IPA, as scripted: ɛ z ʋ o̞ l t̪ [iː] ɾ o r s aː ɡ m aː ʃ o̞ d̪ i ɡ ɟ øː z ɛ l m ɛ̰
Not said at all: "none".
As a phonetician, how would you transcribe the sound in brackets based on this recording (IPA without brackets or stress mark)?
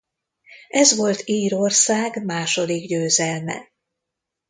iː